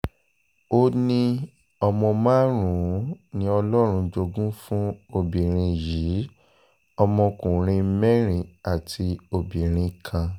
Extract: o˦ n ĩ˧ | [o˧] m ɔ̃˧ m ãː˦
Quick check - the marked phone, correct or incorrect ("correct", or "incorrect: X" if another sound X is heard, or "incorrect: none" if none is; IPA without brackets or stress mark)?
incorrect: ɔ˧